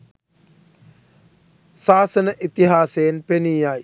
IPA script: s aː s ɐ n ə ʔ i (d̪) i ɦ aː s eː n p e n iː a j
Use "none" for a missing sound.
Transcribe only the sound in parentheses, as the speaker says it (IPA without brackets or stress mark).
t̪